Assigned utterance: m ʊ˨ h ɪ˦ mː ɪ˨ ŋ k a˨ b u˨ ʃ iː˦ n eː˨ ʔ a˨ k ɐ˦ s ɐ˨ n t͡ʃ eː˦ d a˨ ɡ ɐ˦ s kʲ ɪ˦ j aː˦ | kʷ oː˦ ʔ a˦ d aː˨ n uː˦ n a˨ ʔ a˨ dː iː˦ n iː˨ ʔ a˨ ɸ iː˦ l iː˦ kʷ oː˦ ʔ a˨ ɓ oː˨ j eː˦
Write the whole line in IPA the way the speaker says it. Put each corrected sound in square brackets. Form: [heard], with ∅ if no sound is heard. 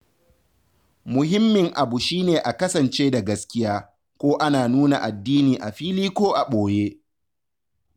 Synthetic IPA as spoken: m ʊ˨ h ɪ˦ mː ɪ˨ ŋ [ʔ] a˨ b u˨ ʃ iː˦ n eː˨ ʔ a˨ k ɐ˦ s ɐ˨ n t͡ʃ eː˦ d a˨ ɡ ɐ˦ s kʲ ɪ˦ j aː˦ | kʷ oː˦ ʔ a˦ [n] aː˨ n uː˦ n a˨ ʔ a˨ dː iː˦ n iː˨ ʔ a˨ ɸ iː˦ l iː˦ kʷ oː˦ ʔ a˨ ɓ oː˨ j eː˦